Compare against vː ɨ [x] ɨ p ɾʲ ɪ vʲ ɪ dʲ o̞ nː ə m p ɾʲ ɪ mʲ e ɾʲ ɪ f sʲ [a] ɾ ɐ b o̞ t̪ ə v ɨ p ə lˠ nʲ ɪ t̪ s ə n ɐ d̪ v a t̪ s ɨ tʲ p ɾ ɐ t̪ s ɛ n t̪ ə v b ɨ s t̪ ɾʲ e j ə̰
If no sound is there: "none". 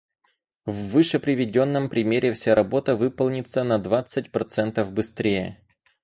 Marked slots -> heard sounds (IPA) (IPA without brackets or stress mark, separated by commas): ʂ, a